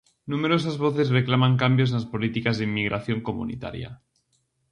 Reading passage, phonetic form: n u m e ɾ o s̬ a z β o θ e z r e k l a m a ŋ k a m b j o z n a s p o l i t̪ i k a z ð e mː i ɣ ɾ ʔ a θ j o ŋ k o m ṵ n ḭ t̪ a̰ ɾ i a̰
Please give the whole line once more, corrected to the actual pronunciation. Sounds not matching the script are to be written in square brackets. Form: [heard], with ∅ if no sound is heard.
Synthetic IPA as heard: n u m e ɾ o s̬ a z β o θ e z r e k l a m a ŋ k a m b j o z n a s p o l i t̪ i k a z ð e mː i ɣ ɾ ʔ a θ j o ŋ k o m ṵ n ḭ t̪ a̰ ɾ [j] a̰